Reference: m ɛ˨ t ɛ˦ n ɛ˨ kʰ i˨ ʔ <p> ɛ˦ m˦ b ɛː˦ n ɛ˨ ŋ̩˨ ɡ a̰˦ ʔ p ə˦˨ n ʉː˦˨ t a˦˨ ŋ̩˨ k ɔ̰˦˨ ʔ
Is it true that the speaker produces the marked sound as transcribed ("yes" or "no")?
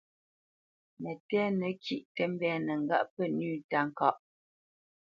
no